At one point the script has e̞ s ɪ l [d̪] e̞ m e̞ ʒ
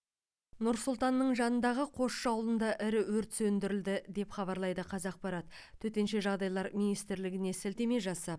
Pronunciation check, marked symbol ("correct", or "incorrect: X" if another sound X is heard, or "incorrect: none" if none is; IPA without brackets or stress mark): incorrect: t̪